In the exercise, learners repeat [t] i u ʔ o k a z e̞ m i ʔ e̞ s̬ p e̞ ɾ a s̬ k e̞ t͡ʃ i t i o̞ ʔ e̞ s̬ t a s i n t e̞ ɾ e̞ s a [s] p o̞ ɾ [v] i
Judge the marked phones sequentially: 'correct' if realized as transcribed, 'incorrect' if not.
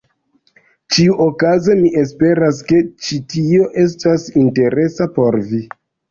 incorrect: t͡ʃ, incorrect: none, correct

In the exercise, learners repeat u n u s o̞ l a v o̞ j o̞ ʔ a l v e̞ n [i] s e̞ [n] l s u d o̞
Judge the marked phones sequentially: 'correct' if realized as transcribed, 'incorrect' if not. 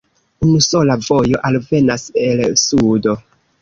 incorrect: a, incorrect: none

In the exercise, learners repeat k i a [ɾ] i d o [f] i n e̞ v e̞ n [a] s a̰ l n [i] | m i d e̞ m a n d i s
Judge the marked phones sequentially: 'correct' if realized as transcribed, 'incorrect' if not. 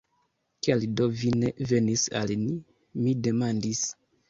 incorrect: l, incorrect: v, incorrect: i, correct

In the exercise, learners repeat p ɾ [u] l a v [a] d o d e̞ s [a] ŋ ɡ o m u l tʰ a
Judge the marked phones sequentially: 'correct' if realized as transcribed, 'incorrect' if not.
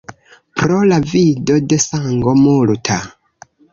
incorrect: o, incorrect: i, correct

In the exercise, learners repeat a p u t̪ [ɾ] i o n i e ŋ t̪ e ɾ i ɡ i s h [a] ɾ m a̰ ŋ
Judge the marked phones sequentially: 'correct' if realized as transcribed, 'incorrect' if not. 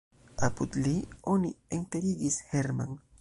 incorrect: l, incorrect: e

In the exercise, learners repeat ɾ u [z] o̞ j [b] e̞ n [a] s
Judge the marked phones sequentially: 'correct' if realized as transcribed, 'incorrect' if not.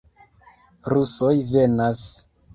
incorrect: s, incorrect: v, correct

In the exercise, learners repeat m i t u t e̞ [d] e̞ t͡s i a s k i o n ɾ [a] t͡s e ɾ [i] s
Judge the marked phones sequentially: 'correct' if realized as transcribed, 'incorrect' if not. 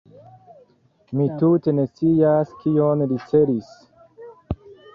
incorrect: n, incorrect: i, correct

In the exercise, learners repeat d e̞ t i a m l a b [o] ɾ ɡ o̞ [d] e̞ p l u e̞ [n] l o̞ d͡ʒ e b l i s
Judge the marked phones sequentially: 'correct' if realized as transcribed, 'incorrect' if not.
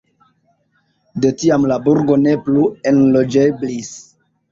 incorrect: u, incorrect: n, correct

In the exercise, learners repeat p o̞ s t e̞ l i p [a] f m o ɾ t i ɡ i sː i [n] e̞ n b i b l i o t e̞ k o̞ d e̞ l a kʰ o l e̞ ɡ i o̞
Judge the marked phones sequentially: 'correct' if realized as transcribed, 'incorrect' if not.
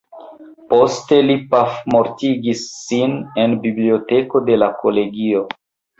correct, correct

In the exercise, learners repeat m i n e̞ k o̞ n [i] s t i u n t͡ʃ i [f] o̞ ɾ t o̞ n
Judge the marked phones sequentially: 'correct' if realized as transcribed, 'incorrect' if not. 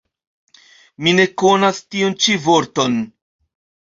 incorrect: a, incorrect: v

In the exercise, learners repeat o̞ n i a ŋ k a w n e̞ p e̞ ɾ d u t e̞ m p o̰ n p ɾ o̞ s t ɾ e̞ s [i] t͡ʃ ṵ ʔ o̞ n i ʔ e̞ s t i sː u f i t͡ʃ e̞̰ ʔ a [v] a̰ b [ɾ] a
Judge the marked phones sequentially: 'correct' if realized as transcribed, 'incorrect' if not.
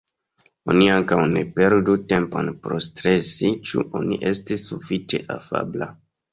correct, incorrect: f, incorrect: l

